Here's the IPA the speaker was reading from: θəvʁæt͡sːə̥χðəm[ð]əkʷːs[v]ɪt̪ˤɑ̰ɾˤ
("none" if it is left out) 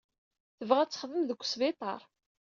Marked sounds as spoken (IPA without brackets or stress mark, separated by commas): ð, v